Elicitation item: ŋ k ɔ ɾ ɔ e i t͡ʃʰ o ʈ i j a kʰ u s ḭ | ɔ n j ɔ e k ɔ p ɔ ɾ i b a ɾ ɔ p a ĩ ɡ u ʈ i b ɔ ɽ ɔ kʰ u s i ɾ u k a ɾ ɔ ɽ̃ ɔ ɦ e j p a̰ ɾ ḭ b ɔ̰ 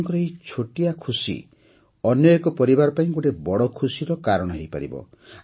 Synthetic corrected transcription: ŋ k ɔ ɾ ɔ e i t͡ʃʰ o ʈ i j a kʰ u s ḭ | ɔ n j ɔ e k ɔ p ɔ ɾ i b a ɾ ɔ p a ĩ ɡ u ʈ e b ɔ ɽ ɔ kʰ u s i ɾ ɔ k a ɾ ɔ ɽ̃ ɔ ɦ e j p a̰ ɾ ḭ b ɔ̰